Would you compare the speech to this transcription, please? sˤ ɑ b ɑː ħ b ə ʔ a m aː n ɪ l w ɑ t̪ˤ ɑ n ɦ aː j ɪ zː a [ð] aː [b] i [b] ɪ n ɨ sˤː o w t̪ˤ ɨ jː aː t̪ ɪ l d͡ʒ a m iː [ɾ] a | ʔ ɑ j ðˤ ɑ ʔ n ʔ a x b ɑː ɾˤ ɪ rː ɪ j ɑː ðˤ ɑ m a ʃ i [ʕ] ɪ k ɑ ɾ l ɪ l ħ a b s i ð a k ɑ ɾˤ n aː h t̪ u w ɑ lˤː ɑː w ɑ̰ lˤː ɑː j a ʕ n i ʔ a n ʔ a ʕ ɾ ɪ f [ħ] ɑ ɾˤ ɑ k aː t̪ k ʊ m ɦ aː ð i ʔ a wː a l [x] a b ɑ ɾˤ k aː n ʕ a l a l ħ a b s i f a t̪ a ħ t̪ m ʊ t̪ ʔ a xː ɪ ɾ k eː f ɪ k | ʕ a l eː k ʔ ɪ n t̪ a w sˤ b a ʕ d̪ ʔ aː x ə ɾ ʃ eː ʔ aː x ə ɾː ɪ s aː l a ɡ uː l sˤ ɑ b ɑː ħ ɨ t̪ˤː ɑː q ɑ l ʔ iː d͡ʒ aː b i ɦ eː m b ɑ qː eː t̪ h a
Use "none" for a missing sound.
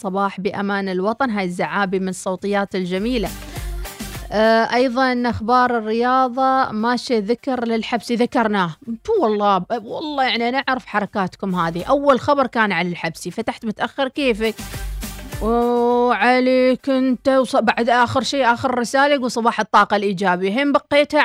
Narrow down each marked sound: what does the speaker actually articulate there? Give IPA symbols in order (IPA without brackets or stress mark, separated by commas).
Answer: ʕ, b, m, l, ð, ħ, x